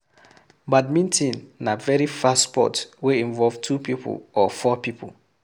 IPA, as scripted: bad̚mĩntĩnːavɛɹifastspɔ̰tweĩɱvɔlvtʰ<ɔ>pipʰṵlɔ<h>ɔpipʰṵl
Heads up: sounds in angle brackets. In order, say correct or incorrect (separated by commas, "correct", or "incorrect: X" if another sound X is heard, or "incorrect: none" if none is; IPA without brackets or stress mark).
incorrect: u, incorrect: f